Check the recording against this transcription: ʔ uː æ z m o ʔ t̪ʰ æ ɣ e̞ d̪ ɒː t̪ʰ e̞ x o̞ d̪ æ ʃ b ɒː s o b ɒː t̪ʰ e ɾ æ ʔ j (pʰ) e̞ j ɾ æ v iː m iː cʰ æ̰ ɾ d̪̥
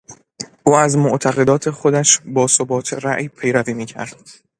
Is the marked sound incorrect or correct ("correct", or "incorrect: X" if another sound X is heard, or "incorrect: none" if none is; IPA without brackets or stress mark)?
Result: correct